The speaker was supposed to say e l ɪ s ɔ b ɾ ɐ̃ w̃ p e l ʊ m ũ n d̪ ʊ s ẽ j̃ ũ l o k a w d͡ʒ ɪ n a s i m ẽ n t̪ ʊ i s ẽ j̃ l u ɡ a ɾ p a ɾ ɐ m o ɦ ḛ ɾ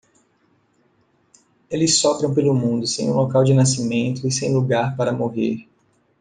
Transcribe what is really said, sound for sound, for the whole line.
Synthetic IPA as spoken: e l ɪ s ɔ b ɾ ɐ̃ w̃ p e l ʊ m ũ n d̪ ʊ s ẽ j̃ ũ l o k a w d͡ʒ ɪ n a s i m ẽ n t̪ ʊ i s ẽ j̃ l u ɡ a ɾ p a ɾ ɐ m o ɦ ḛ ɾ

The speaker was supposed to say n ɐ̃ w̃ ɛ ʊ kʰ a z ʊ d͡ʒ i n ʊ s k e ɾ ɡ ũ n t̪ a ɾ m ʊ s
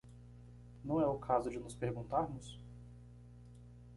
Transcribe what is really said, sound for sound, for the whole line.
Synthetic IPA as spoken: n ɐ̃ w̃ ɛ ʊ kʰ a z ʊ d͡ʒ ɪ n ʊ s p e ɾ ɡ ũ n t̪ a ɾ m ʊ s

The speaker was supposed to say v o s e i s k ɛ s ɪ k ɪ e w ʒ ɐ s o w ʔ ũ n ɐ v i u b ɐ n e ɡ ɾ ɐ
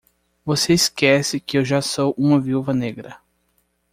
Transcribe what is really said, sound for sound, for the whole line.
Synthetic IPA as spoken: v o s e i s k ɛ s ɪ k ɪ e w ʒ a s o w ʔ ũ m ɐ v i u v ɐ n e ɡ ɾ ɐ

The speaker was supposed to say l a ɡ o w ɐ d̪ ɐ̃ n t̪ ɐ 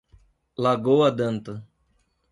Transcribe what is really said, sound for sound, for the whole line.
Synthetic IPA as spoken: l a ɡ o w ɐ d̪ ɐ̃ n t̪ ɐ

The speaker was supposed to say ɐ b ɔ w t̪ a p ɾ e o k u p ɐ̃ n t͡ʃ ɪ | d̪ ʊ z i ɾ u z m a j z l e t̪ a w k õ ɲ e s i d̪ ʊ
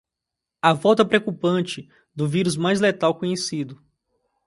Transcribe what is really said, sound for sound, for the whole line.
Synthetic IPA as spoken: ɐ v ɔ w t̪ ɐ p ɾ e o k u p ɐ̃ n t͡ʃ ɪ | d̪ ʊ v i ɾ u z m a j z l e t̪ a w k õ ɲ e s i d̪ ʊ

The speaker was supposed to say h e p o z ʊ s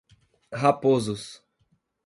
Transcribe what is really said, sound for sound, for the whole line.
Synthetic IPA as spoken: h a p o z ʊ s

